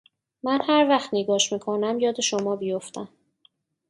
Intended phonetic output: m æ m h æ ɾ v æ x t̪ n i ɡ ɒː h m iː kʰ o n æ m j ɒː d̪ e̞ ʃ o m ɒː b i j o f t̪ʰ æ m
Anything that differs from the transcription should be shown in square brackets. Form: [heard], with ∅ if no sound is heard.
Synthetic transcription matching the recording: m æ [n] h æ ɾ v æ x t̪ n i ɡ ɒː [ʃ] m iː kʰ o n æ m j ɒː d̪ e̞ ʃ o m ɒː b i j o f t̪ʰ æ m